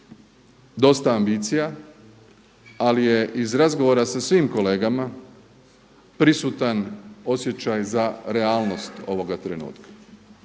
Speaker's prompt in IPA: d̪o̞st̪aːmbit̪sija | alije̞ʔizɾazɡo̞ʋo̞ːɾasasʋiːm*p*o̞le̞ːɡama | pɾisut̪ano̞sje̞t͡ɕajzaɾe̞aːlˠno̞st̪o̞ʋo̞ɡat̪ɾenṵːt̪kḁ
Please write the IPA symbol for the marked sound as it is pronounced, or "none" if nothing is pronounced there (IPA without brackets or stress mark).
k